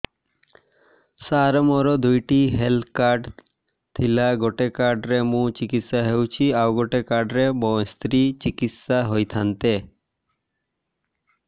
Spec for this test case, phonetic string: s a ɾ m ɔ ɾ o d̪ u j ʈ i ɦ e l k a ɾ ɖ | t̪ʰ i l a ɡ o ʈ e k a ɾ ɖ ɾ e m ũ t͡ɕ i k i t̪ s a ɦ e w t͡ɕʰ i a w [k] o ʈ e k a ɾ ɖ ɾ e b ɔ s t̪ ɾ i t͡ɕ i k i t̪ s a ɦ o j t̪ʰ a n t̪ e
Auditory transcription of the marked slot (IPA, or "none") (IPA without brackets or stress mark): ɡ